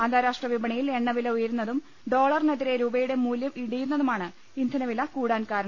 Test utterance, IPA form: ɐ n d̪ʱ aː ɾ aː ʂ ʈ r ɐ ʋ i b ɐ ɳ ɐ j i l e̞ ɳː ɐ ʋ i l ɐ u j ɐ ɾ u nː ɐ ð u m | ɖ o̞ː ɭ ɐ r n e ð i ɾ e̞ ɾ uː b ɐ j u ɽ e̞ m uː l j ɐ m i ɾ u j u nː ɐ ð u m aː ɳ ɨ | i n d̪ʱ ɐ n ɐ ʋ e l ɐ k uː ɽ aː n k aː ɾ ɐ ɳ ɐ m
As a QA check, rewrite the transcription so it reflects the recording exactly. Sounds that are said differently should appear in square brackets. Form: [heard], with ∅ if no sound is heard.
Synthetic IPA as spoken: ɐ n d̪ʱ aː ɾ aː ʂ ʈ r ɐ ʋ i b ɐ ɳ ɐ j i l e̞ ɳː ɐ ʋ i l ɐ u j ɐ ɾ u nː ɐ ð u m | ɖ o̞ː ɭ ɐ r n e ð i ɾ e̞ ɾ uː b ɐ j u ɽ e̞ m uː l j ɐ m i [ɽ] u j u nː ɐ ð u m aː ɳ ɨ | i n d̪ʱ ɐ n ɐ ʋ [i] l ɐ k uː ɽ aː n k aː ɾ ɐ ɳ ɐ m